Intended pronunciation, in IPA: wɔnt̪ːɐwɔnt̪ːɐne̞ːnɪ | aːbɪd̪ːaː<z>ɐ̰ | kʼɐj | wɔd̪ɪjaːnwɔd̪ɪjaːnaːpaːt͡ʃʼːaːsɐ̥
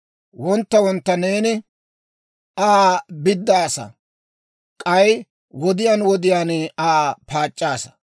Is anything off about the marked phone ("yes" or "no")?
yes